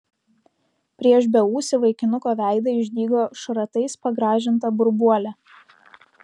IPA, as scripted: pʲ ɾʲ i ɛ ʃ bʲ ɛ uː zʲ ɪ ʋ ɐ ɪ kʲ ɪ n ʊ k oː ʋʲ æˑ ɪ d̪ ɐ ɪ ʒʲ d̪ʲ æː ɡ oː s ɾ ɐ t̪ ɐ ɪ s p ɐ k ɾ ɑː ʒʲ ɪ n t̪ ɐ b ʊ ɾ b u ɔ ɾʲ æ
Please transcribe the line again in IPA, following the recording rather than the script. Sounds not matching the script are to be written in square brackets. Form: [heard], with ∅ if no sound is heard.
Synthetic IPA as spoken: pʲ ɾʲ i ɛ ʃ bʲ ɛ uː [sʲ] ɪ ʋ ɐ ɪ kʲ ɪ n ʊ k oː ʋʲ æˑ ɪ d̪ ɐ ɪ ʒʲ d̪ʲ [iː] ɡ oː [ʃ] ɾ ɐ t̪ ɐ ɪ s p ɐ [ɡ] ɾ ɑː ʒʲ ɪ n t̪ ɐ b ʊ ɾ b u ɔ [lʲ] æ

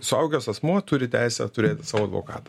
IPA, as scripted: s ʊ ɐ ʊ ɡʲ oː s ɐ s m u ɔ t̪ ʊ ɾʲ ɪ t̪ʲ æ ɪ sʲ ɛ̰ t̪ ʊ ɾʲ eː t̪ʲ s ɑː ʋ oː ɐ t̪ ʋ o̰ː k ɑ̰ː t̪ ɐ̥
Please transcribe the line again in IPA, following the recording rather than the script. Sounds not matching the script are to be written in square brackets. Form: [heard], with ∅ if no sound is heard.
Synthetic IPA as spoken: s ʊ ɐ ʊ ɡʲ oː s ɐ s m u ɔ t̪ ʊ ɾʲ ɪ t̪ʲ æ ɪ sʲ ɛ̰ t̪ ʊ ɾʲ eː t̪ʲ s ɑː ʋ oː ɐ [d̪] ʋ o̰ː k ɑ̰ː t̪ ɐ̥

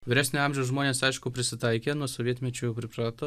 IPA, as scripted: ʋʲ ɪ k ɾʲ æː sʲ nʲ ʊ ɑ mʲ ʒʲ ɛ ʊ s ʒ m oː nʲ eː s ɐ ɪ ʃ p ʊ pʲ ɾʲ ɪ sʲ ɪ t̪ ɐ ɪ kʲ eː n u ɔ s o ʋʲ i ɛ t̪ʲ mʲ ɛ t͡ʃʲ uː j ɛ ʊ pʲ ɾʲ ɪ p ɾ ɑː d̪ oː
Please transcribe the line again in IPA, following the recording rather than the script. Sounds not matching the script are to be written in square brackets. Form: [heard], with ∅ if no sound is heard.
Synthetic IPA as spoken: ʋʲ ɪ [∅] ɾʲ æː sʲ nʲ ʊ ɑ mʲ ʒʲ ɛ ʊ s ʒ m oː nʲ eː s ɐ ɪ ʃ [k] ʊ pʲ ɾʲ ɪ sʲ ɪ t̪ ɐ ɪ kʲ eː n u ɔ s o ʋʲ i ɛ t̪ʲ mʲ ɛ t͡ʃʲ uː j ɛ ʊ pʲ ɾʲ ɪ p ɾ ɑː [t̪] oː

